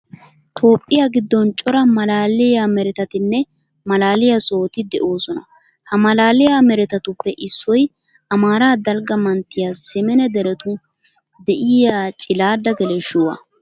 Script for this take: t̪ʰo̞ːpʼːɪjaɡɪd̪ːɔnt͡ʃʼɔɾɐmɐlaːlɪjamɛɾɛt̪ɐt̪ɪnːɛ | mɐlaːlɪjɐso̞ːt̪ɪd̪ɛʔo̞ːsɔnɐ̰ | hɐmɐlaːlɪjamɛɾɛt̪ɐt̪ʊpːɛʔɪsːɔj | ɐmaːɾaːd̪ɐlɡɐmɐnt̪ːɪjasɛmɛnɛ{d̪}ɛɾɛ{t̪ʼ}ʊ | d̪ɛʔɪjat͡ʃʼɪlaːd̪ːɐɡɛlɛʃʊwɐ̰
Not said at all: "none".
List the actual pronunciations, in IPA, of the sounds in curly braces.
d̪, t̪

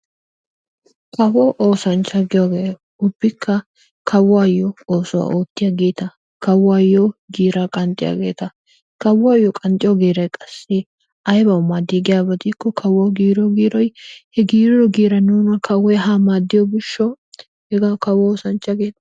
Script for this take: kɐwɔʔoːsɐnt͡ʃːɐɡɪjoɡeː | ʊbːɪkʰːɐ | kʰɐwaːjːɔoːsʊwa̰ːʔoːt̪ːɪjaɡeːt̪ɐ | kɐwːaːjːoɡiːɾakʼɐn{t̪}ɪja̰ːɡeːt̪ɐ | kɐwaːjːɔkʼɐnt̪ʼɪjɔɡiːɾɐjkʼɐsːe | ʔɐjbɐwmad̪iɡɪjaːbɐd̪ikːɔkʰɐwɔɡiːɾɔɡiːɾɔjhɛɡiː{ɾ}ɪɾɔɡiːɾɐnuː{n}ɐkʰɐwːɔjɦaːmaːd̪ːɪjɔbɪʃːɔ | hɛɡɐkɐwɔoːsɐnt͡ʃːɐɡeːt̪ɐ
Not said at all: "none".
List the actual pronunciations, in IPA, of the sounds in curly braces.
t̪ʼ, ɾ, n

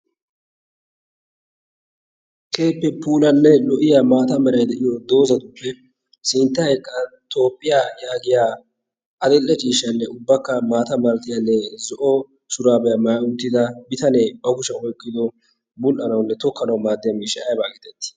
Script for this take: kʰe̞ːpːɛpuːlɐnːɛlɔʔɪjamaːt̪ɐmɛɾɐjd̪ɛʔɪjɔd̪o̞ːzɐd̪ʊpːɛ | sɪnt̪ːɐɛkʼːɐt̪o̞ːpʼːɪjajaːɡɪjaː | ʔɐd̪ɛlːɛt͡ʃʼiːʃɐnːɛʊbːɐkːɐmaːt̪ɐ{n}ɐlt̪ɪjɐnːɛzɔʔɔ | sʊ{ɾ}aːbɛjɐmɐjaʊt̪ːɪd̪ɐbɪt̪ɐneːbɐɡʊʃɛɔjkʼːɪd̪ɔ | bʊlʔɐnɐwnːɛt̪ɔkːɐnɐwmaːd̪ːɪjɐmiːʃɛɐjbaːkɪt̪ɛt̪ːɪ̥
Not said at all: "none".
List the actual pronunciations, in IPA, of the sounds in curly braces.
m, ɾ

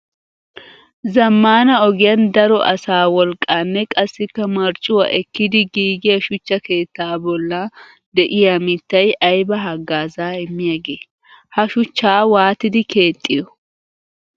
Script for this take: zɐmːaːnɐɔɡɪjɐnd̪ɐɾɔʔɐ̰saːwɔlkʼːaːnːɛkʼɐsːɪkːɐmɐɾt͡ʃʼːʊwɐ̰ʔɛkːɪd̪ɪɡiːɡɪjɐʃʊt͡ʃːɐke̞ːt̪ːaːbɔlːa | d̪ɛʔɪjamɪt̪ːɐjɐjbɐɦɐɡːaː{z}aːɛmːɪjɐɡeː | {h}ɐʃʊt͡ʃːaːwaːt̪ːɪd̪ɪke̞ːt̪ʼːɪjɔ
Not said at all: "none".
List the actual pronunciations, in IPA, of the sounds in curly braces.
z, h

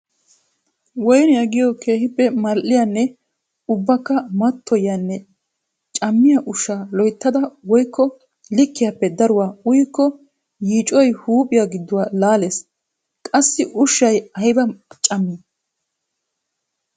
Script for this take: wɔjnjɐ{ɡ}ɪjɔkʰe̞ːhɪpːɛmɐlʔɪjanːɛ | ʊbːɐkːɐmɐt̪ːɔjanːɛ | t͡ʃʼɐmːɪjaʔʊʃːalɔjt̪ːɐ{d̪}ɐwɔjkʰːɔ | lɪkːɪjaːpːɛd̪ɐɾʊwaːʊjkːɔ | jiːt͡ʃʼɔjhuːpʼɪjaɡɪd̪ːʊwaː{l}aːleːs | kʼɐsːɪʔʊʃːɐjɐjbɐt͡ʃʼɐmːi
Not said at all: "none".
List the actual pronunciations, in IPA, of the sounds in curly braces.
ɡ, d̪, l

